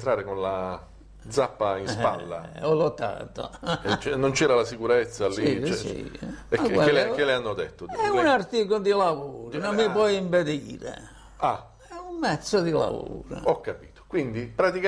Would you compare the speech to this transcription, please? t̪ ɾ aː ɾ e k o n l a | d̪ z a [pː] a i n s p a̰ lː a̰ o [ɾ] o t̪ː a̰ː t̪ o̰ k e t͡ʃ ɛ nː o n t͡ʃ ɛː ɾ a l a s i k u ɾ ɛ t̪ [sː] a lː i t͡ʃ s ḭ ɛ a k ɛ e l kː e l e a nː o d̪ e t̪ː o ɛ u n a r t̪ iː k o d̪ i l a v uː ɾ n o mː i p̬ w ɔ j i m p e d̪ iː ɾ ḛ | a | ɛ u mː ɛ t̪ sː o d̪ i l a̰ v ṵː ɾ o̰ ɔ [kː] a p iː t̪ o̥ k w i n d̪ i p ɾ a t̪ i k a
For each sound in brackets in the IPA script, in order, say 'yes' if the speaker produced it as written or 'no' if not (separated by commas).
yes, no, yes, yes